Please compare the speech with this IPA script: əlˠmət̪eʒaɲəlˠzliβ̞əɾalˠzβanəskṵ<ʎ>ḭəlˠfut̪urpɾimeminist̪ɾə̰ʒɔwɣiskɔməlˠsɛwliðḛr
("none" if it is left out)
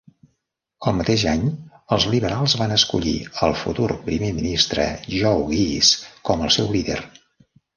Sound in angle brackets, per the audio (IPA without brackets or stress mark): ʎ